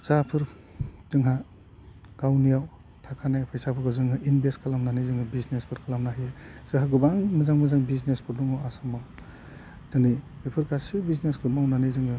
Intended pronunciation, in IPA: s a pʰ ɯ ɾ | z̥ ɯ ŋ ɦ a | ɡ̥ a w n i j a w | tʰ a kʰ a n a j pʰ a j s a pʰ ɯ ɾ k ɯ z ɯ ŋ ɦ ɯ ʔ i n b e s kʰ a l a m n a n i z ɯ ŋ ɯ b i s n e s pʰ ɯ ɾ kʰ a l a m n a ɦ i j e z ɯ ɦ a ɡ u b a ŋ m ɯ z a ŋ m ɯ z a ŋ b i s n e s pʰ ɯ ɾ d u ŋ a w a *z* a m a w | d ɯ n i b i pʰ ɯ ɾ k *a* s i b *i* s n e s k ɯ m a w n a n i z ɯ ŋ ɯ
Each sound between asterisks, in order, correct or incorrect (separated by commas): incorrect, correct, correct